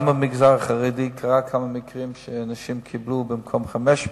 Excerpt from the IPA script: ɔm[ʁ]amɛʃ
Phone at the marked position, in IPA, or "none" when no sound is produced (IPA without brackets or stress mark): χ